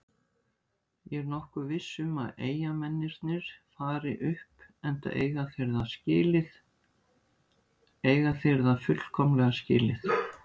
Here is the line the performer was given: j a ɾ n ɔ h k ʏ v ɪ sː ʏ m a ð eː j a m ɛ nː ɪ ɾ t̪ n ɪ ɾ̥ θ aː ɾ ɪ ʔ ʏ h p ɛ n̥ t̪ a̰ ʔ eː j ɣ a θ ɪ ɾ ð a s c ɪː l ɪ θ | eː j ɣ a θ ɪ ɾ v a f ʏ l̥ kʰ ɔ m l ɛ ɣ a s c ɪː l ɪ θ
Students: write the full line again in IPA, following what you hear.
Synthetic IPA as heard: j ɛ ɾ n ɔ h k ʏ v ɪ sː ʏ m a ð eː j a m ɛ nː ɪ ɾ t̪ n ɪ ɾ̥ f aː ɾ ɪ ʔ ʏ h p ɛ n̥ t̪ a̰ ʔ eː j ɣ a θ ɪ ɾ ð a s c ɪː l ɪ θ | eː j ɣ a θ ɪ ɾ ð a f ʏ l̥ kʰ ɔ m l ɛ ɣ a s c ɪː l ɪ θ